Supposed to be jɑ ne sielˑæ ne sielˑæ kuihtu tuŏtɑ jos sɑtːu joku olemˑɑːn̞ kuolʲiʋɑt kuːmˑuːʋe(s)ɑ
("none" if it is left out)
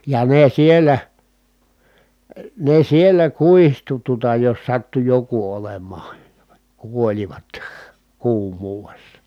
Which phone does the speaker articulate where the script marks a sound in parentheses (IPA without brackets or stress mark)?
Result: sː